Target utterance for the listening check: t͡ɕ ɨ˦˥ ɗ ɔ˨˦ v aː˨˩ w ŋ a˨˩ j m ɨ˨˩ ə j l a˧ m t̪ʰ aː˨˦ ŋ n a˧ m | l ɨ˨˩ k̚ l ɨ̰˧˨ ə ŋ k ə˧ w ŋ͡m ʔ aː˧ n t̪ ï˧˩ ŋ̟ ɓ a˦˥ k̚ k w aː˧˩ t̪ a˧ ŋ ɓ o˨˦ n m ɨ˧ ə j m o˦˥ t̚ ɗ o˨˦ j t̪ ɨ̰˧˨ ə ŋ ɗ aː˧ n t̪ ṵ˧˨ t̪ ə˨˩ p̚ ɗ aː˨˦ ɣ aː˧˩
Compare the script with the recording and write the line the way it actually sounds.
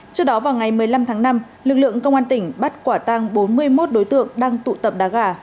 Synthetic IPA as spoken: t͡ɕ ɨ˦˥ ɗ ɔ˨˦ v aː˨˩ w ŋ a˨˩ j m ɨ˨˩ ə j l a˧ m t̪ʰ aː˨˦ ŋ n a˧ m | l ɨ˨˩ k̚ l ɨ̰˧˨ ə ŋ k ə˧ w ŋ͡m ʔ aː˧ n t̪ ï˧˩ ŋ̟ ɓ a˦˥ t̚ k w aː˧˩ t̪ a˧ ŋ ɓ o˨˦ n m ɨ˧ ə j m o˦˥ t̚ ɗ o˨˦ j t̪ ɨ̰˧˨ ə ŋ ɗ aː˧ ŋ t̪ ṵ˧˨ t̪ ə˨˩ p̚ ɗ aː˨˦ ɣ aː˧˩

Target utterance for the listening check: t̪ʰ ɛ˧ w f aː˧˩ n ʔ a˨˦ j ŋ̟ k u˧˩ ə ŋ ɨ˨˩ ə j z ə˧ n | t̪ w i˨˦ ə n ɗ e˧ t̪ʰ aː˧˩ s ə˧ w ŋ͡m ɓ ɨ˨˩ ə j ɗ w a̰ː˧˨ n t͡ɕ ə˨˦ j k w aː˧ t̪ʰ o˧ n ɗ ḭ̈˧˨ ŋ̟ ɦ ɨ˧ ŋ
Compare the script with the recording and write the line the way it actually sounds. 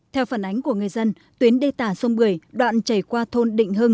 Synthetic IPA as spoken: t̪ʰ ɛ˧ w f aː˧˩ n ʔ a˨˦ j ŋ̟ k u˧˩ ə ŋ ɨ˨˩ ə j z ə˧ n | t̪ w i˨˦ ə n ɗ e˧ t̪ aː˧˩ s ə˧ w ŋ͡m ɓ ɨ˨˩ ə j ɗ w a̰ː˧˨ n t͡ɕ ə˧˩ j k w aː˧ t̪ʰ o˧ n ɗ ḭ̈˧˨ ŋ̟ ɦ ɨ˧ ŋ

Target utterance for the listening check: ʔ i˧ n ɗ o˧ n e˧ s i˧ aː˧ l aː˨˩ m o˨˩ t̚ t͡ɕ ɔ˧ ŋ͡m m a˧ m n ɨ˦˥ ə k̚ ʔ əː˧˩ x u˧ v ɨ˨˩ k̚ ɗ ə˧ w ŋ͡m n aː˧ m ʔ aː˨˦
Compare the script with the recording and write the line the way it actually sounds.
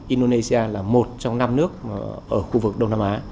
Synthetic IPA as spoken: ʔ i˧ n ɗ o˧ n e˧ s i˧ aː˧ l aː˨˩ m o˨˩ t̚ t͡ɕ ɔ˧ ŋ͡m n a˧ m n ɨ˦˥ ə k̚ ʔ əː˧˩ x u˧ v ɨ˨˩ k̚ ɗ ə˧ w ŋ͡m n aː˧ m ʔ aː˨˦

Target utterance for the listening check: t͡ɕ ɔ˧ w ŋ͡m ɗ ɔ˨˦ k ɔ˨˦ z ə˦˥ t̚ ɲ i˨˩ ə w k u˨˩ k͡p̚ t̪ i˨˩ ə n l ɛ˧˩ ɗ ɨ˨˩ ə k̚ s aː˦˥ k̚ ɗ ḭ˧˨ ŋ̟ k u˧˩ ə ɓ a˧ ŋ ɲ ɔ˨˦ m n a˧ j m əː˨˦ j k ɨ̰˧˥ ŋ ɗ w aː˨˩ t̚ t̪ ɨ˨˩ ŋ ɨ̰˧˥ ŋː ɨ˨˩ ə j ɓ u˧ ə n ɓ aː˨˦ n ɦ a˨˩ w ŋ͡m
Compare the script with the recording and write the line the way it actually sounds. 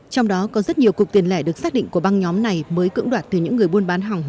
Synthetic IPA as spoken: t͡ɕ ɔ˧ w ŋ͡m ɗ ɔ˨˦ k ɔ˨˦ z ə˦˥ t̚ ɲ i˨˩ ə w k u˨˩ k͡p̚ t̪ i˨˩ ə n l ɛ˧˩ ɗ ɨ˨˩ ə k̚ s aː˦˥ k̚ ɗ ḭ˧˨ ŋ̟ k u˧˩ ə ɓ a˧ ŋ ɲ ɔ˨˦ m n a˨˩ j m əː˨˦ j k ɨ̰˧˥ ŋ ɗ w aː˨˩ t̚ t̪ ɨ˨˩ ɲ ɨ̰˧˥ ŋː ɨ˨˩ ə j ɓ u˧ ə n ɓ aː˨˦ n ɦ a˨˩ w ŋ͡m

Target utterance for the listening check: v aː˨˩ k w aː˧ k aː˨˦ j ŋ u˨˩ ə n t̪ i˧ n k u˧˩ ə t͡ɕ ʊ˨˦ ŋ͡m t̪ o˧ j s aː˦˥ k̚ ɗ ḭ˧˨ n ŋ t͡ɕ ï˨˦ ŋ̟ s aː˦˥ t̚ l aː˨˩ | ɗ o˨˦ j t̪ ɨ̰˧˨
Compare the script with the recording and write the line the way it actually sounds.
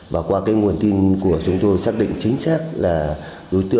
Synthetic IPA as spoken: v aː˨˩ k w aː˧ k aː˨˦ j ŋ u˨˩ ə n t̪ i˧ n k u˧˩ ə t͡ɕ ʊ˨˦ ŋ͡m t̪ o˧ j s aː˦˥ k̚ ɗ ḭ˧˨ ŋ t͡ɕ ï˨˦ ŋ̟ s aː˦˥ k̚ l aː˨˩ | ɗ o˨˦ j t̪ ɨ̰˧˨

